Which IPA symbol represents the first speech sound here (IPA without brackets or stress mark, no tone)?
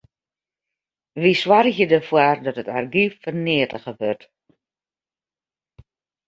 ʋ